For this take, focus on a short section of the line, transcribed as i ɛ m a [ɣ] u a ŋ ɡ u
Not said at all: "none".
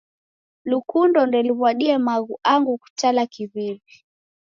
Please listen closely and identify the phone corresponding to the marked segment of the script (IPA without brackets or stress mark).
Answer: ɣ